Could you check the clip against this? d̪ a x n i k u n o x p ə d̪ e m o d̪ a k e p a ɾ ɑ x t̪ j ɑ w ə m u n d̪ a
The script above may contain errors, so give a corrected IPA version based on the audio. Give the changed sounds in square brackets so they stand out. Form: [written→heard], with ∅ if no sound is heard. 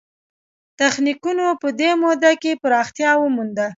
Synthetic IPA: [d̪→t̪] a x n i k u n o [x→∅] p ə d̪ e m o d̪ a k e p [a→ə] ɾ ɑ x t̪ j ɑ w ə m u n d̪ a